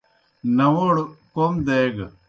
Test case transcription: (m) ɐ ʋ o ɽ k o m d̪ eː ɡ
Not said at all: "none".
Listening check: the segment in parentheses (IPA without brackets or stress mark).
n